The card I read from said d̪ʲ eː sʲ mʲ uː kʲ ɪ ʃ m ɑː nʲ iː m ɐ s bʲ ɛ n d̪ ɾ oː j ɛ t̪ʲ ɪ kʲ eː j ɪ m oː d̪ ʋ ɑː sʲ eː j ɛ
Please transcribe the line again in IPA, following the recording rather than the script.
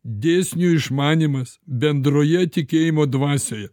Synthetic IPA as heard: d̪ʲ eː sʲ nʲ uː ɪ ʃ m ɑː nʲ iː m ɐ s bʲ ɛ n d̪ ɾ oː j ɛ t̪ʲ ɪ kʲ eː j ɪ m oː d̪ ʋ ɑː sʲ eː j ɛ